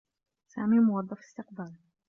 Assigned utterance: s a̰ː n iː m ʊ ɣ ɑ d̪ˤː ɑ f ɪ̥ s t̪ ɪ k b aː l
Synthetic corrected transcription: s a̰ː m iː m ʊ w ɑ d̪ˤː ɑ f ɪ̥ s t̪ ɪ q b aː l